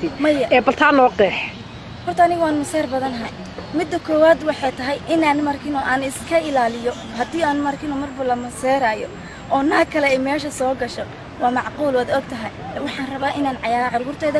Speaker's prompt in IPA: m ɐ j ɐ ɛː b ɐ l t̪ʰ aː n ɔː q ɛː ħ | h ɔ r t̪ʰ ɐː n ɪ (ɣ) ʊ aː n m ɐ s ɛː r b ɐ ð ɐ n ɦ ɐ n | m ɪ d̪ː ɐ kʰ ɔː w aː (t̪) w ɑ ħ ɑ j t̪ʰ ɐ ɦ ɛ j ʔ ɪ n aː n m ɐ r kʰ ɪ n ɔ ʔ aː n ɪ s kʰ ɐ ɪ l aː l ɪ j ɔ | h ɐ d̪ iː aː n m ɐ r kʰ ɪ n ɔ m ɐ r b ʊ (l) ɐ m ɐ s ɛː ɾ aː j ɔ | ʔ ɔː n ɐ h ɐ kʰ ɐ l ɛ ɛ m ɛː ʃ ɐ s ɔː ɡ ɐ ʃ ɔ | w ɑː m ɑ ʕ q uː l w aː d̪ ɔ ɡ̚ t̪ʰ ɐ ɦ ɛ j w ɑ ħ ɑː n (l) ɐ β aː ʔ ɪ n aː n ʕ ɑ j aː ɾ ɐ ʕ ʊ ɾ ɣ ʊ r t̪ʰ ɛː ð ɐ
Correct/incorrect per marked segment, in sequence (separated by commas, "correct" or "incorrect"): correct, incorrect, correct, incorrect